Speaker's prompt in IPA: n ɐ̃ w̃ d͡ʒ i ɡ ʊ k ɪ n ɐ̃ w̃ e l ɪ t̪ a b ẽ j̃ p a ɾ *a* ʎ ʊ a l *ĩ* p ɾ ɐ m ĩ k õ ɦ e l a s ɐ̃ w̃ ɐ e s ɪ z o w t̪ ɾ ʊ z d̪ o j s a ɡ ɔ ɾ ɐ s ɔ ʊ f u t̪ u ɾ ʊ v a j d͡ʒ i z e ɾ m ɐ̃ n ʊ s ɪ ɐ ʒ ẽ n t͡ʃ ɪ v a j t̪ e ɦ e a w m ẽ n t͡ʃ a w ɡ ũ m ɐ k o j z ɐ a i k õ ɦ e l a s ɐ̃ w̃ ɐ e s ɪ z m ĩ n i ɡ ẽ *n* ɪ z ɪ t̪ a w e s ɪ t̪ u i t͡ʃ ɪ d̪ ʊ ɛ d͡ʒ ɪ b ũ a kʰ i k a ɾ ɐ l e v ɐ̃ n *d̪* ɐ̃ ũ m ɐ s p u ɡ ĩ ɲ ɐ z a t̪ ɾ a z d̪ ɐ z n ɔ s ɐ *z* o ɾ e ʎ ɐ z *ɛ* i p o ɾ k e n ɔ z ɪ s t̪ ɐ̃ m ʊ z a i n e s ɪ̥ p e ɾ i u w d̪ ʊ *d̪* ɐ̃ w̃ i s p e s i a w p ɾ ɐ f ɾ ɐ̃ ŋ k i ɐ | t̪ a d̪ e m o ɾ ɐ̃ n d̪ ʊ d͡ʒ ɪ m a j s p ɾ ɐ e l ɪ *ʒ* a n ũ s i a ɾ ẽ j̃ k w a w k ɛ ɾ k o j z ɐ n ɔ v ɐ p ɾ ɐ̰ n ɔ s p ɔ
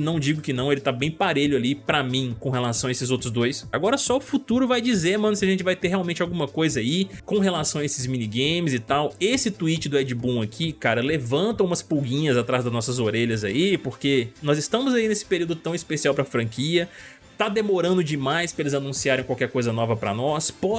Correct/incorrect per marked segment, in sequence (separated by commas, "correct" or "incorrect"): incorrect, incorrect, incorrect, incorrect, correct, incorrect, incorrect, incorrect